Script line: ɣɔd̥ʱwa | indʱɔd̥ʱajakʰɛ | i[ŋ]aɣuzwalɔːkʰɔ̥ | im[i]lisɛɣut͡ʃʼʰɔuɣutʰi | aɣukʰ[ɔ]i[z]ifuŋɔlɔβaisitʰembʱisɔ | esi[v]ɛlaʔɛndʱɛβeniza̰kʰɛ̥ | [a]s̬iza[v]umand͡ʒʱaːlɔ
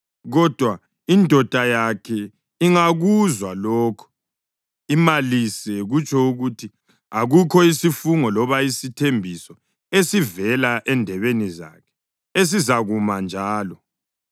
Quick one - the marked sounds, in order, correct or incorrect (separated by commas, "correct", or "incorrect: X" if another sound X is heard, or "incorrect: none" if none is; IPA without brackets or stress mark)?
correct, incorrect: a, correct, incorrect: s, correct, incorrect: e, incorrect: ɣ